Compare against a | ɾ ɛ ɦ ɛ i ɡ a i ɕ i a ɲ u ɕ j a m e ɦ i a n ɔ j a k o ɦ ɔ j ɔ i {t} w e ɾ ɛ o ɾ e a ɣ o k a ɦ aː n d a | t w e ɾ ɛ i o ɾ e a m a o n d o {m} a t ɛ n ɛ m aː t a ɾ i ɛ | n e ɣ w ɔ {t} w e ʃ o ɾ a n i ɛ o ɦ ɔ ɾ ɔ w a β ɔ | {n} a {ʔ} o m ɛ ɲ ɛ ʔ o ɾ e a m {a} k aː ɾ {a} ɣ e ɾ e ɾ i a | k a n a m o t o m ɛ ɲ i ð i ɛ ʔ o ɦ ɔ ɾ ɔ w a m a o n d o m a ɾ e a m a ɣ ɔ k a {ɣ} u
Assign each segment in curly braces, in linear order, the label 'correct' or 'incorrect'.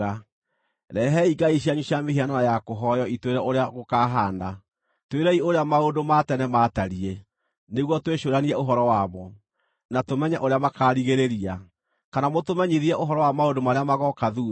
correct, correct, correct, correct, incorrect: t, correct, incorrect: i, incorrect: ð

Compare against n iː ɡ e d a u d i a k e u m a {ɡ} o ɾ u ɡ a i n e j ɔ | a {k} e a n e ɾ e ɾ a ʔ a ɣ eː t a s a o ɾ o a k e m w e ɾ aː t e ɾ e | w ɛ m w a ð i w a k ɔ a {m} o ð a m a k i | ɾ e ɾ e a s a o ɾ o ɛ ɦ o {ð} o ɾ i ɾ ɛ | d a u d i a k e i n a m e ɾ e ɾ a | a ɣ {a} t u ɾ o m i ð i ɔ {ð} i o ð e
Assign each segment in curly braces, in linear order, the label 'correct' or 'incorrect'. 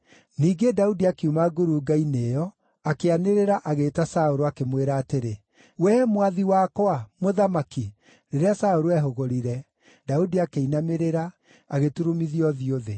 correct, correct, correct, incorrect: ɣ, incorrect: e, correct

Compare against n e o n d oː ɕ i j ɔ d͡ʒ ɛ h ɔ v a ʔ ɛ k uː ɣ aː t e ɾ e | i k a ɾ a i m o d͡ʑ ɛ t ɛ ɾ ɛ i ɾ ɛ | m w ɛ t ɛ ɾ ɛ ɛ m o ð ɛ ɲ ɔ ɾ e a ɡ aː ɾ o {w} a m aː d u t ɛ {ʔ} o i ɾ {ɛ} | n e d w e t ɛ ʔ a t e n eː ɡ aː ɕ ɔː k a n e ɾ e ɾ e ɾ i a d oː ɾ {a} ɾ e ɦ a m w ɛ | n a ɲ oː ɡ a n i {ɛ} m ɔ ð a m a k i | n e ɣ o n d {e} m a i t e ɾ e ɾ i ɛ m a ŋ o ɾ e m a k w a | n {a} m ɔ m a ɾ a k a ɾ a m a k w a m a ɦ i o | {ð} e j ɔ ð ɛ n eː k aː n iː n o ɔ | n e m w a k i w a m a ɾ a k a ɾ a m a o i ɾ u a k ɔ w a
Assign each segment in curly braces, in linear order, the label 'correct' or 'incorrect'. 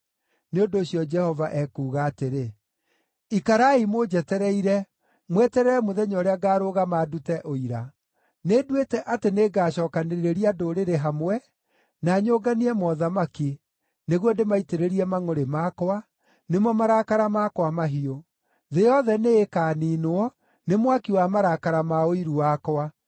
incorrect: ɣ, correct, incorrect: a, incorrect: e, correct, correct, incorrect: e, correct

